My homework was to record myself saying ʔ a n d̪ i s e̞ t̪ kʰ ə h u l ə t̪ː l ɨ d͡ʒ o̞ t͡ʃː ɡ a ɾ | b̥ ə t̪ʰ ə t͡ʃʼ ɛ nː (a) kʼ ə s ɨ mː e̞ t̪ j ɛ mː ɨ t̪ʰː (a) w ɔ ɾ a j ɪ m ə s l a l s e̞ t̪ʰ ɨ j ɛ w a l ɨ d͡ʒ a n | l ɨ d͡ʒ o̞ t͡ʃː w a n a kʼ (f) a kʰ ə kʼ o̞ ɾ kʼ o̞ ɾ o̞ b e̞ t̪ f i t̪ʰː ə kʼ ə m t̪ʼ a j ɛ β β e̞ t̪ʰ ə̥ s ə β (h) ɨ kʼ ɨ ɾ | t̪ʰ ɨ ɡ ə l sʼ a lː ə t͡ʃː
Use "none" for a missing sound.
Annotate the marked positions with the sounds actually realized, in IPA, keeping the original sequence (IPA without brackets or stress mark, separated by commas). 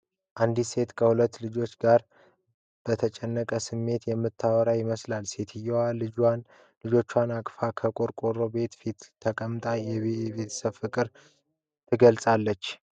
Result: ə, a, f, f